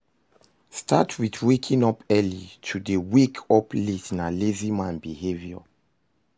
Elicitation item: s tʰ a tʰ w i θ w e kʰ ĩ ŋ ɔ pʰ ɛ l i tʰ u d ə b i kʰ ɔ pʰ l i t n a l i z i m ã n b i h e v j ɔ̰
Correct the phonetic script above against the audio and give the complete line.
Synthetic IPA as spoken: s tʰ a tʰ w i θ w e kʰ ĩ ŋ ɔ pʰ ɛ l i tʰ u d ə w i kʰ ɔ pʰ l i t n a l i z i m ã n b i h e v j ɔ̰